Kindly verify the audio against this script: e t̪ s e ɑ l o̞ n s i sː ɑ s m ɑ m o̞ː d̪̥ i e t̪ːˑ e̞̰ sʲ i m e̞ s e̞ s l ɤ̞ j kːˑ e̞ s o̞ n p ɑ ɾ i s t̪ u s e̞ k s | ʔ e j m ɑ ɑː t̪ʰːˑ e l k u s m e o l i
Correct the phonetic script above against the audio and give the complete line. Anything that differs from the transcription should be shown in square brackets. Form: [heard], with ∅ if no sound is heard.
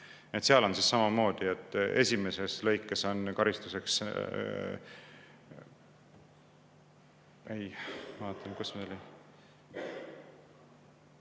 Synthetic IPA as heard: e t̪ s e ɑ l o̞ n s i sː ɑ [∅] m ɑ m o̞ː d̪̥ i e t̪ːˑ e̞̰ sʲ i m e̞ s e̞ s l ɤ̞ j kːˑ e̞ s o̞ n [k] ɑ ɾ i s t̪ u s e̞ k s | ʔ e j m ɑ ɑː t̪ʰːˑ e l k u s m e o l i